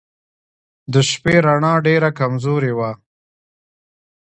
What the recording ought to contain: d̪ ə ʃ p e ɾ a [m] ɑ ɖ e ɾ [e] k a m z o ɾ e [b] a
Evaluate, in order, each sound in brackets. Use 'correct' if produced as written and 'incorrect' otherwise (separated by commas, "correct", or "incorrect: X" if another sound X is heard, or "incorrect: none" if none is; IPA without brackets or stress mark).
incorrect: ɳ, incorrect: a, incorrect: w